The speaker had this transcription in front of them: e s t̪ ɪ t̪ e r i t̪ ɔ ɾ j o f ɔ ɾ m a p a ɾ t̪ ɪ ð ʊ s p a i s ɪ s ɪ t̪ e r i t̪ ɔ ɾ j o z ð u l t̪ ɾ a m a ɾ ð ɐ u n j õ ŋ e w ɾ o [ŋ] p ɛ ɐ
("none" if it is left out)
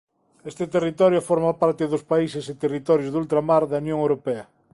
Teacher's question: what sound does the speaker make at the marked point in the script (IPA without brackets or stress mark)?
none